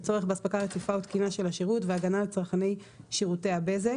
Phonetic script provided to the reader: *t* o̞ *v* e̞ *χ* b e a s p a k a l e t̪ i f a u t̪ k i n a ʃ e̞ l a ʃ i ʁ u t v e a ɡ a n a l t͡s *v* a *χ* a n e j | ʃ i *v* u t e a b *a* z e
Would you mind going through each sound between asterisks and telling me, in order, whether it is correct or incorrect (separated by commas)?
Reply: incorrect, incorrect, correct, incorrect, correct, incorrect, incorrect